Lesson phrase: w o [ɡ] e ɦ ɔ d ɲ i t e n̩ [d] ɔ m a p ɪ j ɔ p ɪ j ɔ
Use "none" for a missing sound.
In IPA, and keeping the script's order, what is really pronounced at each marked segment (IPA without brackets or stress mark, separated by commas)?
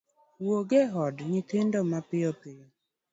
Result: ɡ, d